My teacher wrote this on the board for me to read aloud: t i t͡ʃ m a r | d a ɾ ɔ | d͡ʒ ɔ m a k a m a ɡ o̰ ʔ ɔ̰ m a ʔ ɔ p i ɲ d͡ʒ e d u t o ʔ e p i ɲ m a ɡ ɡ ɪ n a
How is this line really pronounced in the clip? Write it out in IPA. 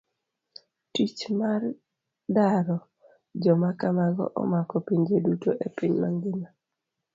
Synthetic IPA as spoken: t i t͡ʃ m a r | d a ɾ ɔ | d͡ʒ ɔ m a k a m a ɡ ɔ̰ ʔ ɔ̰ m a k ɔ p i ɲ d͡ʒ e d u t o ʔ e p i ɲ m a ŋ ɡ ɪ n a

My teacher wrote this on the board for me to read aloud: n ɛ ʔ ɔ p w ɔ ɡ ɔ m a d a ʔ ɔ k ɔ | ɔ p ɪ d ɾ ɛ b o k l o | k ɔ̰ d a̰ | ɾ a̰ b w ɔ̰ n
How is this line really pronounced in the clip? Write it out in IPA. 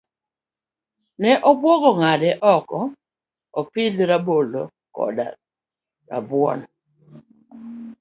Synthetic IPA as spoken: n ɛ ʔ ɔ b w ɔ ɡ ɔ ŋ a d ɛ ʔ ɔ k ɔ | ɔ p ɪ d ɾ a b o l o | k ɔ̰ d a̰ | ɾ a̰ b w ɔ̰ n

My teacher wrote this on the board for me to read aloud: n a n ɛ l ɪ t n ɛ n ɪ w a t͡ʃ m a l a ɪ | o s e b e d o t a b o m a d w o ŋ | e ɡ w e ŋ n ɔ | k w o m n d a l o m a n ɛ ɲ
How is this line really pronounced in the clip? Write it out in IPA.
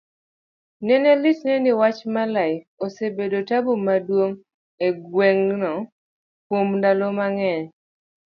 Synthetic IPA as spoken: n ɛ n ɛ l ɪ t n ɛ n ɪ w a t͡ʃ m a l a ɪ | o s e b e d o t a b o m a d w o ŋ | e ɡ w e ŋ n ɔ | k w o m n d a l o m a ŋ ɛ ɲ

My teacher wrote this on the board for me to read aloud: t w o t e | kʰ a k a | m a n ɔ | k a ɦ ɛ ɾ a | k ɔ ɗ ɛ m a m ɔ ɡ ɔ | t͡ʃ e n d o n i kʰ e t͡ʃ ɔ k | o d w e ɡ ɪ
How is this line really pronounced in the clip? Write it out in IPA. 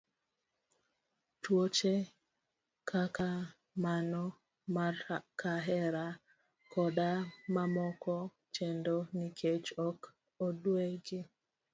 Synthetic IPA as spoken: t w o t͡ʃ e | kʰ a k a | m a n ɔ | k a ɦ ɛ ɾ a | k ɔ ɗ a m a m ɔ k ɔ | t͡ʃ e n d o n i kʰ e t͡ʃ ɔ k | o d w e ɡ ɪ

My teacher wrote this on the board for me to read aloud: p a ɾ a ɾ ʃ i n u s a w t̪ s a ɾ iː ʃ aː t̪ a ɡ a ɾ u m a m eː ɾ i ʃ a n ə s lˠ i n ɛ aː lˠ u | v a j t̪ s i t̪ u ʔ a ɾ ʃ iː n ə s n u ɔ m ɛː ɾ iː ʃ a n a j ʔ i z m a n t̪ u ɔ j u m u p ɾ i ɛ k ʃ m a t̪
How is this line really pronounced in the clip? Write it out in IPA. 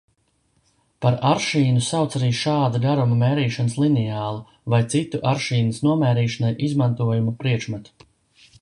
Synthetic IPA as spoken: p a ɾ a ɾ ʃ iː n u s a w t̪ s a ɾ iː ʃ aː d̪ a ɡ a ɾ u m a m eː ɾ iː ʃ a n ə s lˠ i n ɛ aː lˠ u | v a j t̪ s i t̪ u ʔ a ɾ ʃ iː n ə s n u ɔ m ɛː ɾ iː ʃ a n a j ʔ i z m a n t̪ u ɔ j u m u p ɾ i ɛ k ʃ m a t̪

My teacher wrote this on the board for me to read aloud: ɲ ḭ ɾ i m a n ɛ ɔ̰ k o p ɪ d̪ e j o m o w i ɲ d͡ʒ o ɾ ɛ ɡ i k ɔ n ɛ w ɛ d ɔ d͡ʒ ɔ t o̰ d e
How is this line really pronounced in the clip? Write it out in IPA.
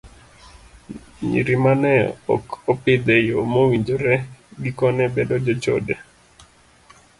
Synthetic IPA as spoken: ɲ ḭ ɾ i m a n ɛ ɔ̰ k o p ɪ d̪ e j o m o w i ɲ d͡ʒ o ɾ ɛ ɡ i k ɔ n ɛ b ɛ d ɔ d͡ʒ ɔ t͡ʃ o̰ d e

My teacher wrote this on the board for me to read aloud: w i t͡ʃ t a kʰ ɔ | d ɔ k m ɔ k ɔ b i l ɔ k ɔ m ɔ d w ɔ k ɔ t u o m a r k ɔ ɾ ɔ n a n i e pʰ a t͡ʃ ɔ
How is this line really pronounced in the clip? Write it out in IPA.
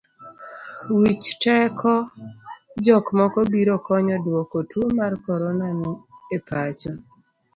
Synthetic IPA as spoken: w i t͡ʃ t ɛ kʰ ɔ | d͡ʒ ɔ k m ɔ k ɔ b i ɾ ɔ k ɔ ɲ ɔ d w ɔ k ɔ t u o m a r k ɔ ɾ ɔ n a n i e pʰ a t͡ʃ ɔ

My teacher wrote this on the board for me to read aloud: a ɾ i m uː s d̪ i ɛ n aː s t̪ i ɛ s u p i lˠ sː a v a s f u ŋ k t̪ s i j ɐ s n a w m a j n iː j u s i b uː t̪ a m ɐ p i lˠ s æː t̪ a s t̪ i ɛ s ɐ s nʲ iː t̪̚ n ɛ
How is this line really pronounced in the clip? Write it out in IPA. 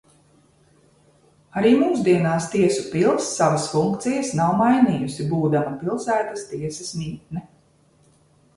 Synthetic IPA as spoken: a ɾ iː m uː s d̪ i ɛ n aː s t̪ i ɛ s u p i lˠ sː a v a s f u ŋ k t̪ s i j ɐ s n a w m a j n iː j u s i b uː d̪ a m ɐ p i lˠ s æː t̪ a s t̪ i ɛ s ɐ s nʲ iː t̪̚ n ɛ

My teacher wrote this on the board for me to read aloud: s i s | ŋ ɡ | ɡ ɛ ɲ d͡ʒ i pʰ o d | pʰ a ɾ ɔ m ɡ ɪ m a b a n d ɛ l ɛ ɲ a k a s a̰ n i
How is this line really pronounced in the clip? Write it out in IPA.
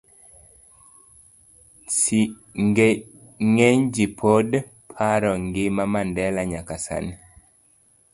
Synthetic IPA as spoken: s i | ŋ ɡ | ŋ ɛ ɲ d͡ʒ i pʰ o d | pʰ a ɾ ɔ ŋ ɡ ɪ m a m a n d ɛ l a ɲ a k a s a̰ n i

